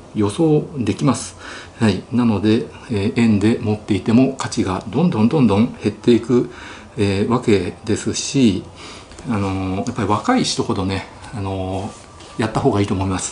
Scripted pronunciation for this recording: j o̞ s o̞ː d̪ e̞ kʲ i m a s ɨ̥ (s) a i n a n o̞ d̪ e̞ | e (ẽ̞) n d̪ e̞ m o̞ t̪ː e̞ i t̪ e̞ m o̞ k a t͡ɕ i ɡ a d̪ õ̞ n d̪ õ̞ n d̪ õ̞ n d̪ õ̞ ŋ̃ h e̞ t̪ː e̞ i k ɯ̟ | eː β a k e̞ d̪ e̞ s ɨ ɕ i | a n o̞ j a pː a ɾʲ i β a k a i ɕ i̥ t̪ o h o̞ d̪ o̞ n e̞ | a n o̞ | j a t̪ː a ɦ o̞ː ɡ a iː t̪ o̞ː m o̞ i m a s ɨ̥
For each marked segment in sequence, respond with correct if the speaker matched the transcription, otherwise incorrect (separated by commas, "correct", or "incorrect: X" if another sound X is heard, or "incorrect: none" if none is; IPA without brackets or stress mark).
incorrect: h, correct